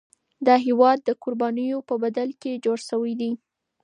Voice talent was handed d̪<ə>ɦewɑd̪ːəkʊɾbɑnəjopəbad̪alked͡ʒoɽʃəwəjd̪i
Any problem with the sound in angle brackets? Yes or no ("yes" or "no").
yes